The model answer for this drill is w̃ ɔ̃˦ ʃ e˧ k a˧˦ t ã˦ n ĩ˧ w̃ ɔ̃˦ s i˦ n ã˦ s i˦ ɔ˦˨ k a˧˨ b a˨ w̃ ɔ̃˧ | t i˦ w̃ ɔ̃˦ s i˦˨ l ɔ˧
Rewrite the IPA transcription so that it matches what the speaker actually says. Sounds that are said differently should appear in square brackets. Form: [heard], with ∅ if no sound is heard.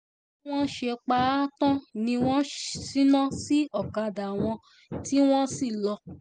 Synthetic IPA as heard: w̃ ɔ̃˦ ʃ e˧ [k͡p] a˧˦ t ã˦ n ĩ˧ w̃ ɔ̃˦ s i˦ n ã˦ s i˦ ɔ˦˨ k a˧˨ [d] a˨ w̃ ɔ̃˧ | t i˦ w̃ ɔ̃˦ s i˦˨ l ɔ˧

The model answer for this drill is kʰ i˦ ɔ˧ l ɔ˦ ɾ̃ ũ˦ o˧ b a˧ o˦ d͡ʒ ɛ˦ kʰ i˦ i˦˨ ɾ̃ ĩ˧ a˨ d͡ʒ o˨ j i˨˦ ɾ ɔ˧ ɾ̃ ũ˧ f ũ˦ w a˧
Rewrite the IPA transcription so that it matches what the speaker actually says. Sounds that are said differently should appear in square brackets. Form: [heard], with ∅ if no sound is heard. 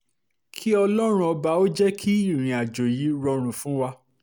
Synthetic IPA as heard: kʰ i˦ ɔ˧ l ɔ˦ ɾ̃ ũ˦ [ɔ˧] b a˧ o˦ d͡ʒ ɛ˦ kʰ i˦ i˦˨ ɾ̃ ĩ˧ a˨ d͡ʒ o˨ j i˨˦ ɾ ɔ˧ ɾ̃ ũ˧ f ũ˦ w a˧

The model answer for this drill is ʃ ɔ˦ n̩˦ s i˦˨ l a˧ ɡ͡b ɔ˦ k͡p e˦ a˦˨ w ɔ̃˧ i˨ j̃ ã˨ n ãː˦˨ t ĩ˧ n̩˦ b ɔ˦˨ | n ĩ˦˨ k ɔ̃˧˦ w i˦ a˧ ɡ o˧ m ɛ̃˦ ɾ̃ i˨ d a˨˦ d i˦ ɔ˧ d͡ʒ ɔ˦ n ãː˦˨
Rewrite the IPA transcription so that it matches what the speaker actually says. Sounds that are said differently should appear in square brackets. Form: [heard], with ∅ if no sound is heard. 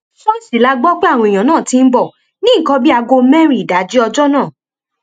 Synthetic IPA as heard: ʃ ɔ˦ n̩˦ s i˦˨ l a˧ ɡ͡b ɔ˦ k͡p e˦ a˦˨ w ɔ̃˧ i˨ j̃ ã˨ n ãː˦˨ t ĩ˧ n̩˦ b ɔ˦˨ | n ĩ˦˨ k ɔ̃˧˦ [b] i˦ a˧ ɡ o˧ m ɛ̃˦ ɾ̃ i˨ d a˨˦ [d͡ʒ] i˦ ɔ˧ d͡ʒ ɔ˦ n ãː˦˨

